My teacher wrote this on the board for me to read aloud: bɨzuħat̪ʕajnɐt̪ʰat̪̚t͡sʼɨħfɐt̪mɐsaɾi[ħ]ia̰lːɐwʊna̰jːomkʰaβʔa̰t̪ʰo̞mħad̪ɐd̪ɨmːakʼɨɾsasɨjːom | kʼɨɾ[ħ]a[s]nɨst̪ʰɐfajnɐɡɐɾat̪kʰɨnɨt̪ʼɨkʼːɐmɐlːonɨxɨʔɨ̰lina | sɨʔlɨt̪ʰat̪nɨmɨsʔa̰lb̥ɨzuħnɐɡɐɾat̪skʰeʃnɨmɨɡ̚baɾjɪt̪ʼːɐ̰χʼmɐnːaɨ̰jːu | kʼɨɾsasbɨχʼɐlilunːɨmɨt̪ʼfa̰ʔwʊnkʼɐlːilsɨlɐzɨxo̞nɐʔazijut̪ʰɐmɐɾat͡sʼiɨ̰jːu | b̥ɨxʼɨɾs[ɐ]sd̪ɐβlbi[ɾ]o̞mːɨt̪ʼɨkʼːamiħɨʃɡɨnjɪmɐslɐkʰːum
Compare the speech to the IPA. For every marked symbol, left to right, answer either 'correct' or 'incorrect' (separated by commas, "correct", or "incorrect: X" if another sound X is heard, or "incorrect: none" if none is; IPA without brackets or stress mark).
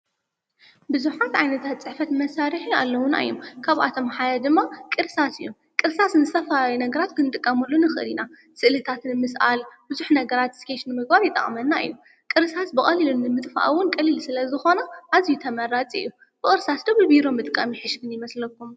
correct, incorrect: s, correct, incorrect: a, correct